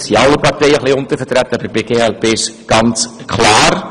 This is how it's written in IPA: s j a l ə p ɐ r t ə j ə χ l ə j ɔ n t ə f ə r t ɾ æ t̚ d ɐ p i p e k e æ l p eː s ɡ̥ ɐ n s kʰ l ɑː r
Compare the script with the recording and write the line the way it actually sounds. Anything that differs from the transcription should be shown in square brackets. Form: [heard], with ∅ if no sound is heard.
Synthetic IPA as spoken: s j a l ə p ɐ r t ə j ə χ l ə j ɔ n t ə f ə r t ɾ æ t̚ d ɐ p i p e k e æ l p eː s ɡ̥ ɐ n s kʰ l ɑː r